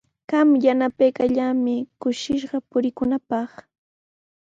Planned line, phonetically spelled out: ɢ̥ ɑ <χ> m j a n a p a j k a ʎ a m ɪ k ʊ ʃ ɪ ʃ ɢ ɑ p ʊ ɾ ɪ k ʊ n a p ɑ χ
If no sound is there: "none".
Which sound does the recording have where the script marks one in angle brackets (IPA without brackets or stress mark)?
none